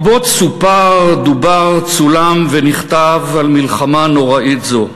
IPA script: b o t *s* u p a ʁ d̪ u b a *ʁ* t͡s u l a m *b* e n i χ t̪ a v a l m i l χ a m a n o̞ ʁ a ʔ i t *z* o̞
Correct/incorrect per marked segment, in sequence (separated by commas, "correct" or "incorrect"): correct, correct, incorrect, correct